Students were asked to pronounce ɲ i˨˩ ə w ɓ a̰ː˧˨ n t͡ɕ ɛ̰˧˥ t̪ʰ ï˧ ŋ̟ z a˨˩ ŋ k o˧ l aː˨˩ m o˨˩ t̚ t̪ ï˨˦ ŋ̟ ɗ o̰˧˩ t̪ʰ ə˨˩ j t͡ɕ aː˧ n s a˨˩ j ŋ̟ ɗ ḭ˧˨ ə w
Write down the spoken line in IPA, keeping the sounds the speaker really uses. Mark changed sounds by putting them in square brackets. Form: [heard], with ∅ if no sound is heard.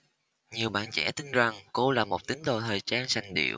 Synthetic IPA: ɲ i˨˩ ə w ɓ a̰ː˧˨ n t͡ɕ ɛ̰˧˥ [t̪] ï˧ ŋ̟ z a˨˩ ŋ k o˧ l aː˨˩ m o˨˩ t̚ t̪ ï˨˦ ŋ̟ ɗ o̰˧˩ t̪ʰ [əː˨˩] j t͡ɕ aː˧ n s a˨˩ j ŋ̟ ɗ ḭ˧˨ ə w

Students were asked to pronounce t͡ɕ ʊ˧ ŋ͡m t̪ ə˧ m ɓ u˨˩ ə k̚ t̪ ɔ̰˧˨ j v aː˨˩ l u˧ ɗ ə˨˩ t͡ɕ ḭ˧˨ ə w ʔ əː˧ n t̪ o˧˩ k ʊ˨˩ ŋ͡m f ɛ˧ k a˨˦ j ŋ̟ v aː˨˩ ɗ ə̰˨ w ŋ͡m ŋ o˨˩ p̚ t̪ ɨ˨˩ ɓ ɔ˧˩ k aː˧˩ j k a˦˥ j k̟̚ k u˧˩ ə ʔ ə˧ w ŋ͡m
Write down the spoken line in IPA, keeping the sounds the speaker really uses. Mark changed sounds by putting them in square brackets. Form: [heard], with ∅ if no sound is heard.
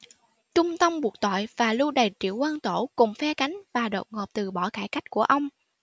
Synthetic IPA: t͡ɕ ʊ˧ ŋ͡m t̪ ə˧ m ɓ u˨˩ ə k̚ t̪ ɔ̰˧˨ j v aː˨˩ l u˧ ɗ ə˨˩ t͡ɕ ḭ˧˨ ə w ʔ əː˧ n t̪ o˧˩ k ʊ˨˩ ŋ͡m f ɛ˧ k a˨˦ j ŋ̟ v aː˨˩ ɗ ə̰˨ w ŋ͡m ŋ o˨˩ p̚ t̪ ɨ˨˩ ɓ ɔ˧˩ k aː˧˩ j k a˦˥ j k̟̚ k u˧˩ ə ʔ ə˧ w ŋ͡m

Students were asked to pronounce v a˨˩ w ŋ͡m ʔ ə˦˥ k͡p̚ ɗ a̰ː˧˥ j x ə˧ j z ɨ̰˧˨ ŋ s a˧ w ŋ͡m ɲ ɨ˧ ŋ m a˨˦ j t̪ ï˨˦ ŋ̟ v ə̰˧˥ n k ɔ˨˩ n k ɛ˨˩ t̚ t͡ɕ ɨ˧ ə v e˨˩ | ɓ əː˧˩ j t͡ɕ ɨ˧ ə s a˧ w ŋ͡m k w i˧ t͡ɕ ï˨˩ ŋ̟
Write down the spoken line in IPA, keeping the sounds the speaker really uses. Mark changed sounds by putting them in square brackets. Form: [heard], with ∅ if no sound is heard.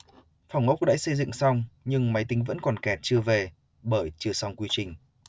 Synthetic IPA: [f] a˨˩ w ŋ͡m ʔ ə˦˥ k͡p̚ ɗ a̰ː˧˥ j [s] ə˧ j z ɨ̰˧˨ ŋ s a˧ w ŋ͡m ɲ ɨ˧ ŋ m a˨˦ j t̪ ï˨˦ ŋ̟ v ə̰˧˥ n k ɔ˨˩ n k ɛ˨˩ t̚ t͡ɕ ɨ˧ ə v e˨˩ | ɓ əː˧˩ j t͡ɕ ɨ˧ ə s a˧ w ŋ͡m k w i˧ t͡ɕ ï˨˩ ŋ̟

